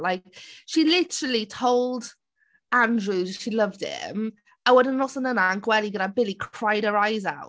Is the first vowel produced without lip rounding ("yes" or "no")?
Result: yes